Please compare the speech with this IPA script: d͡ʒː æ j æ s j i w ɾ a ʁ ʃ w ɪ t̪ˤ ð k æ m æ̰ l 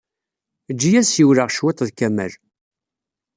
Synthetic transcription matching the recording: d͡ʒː i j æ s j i w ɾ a ʁ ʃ w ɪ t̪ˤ ð k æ m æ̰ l